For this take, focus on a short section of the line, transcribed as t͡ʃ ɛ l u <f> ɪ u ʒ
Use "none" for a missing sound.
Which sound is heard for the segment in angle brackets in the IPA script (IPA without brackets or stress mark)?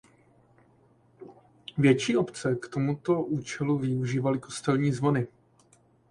v